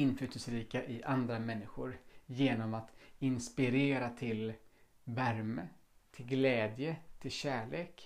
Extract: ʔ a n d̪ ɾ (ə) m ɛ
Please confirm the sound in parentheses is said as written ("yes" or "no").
no